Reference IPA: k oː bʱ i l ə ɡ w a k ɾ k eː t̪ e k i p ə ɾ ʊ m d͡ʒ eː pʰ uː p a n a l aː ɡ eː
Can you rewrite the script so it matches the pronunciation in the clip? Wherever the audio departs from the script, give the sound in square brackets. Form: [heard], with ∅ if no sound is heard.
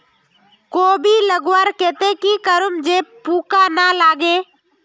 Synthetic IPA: k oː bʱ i l ə ɡ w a [∅] ɾ k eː t̪ e k i [k] ə ɾ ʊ m d͡ʒ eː [p] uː [k] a n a l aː ɡ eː